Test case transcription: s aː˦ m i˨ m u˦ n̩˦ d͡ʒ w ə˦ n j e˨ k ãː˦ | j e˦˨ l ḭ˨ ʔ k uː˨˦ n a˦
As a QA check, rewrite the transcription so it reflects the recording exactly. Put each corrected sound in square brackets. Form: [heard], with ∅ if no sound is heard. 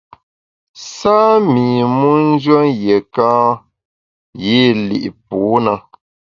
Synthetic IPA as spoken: s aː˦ m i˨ m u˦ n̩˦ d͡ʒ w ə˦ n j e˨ k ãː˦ | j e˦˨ l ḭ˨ ʔ [p] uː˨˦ n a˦